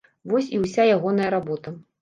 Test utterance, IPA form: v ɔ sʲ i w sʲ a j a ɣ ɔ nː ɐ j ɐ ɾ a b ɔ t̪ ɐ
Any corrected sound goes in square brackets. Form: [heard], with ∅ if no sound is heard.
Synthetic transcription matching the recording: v ɔ sʲ i w sʲ a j a ɣ ɔ [n] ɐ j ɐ ɾ a b ɔ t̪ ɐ